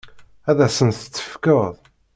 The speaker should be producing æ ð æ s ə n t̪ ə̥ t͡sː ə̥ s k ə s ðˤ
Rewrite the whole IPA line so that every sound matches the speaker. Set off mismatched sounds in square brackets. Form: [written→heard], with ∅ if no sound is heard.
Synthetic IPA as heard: æ ð æ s ə n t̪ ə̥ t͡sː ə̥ [s→f] k ə [s→∅] ðˤ